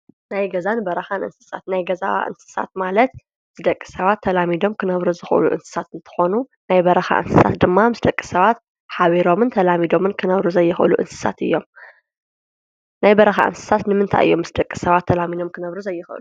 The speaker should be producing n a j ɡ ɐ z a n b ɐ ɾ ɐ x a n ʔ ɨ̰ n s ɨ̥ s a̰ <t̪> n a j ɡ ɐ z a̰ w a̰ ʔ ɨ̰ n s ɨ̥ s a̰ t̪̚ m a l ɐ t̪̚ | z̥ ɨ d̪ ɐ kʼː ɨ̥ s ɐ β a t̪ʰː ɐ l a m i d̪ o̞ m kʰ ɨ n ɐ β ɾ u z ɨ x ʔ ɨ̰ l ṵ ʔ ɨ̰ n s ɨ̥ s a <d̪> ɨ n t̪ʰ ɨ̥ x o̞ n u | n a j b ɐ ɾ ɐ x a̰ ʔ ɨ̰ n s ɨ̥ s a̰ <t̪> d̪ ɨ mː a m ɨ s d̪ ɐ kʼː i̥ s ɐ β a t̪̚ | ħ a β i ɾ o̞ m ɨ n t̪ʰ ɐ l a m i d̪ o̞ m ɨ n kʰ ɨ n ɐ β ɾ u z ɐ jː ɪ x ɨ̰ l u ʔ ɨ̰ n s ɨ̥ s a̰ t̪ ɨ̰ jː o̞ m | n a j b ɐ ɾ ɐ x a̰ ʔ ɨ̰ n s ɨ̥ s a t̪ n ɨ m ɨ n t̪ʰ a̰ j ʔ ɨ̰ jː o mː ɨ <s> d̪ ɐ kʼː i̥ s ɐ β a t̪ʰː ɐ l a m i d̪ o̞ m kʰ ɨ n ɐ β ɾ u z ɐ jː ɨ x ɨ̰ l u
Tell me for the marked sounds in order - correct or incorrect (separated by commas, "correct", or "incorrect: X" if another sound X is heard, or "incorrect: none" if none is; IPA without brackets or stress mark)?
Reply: correct, incorrect: t̪, correct, correct